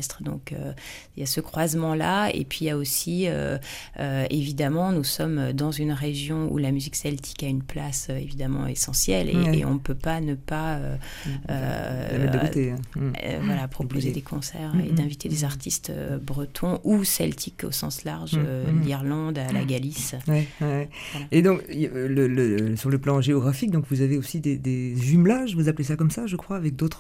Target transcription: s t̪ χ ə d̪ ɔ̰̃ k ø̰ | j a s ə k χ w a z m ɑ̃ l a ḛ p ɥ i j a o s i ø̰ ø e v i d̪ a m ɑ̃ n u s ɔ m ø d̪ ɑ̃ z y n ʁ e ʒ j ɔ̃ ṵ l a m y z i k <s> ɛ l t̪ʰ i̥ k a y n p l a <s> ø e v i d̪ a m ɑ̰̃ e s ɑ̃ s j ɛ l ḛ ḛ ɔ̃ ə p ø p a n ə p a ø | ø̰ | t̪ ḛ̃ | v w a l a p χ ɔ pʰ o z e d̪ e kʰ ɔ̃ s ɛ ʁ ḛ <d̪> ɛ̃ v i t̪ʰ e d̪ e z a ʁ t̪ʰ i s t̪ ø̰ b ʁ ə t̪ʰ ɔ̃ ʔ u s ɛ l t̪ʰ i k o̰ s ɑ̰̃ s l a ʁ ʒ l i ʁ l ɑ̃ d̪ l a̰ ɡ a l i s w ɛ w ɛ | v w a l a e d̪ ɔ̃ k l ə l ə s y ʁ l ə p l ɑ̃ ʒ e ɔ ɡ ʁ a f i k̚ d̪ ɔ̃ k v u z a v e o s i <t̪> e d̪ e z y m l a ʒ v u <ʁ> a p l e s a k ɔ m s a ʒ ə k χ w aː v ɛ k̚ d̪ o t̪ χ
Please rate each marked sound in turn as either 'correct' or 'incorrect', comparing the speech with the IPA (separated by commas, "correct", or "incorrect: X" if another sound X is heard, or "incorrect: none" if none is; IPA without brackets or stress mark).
correct, correct, correct, incorrect: d̪, incorrect: z